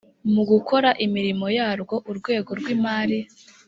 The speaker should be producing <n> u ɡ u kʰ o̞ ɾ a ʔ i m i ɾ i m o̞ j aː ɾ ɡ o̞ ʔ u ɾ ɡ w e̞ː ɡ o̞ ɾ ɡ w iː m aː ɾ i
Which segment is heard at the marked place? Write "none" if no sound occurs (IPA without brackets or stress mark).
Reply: m